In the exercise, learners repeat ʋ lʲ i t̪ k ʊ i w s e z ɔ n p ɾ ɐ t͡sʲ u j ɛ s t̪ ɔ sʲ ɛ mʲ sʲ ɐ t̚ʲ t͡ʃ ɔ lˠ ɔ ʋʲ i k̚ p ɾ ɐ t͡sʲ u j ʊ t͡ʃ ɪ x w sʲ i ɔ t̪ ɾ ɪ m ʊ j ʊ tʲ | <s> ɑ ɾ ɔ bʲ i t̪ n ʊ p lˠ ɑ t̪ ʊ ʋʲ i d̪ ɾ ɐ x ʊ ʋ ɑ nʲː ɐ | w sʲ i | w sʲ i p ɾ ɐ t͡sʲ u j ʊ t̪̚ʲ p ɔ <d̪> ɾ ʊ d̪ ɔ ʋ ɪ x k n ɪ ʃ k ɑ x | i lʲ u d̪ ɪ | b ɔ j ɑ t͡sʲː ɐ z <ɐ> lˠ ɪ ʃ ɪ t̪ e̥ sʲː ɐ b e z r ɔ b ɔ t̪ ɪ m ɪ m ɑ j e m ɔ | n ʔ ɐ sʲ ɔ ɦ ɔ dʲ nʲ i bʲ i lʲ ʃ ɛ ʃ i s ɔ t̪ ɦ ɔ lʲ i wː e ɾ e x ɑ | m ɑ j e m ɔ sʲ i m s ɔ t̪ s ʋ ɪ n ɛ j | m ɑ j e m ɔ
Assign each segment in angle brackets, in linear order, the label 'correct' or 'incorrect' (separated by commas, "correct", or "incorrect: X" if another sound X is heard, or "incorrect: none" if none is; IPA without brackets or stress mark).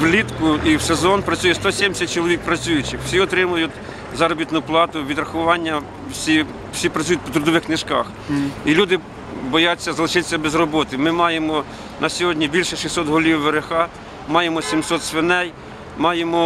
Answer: incorrect: z, incorrect: t̪, correct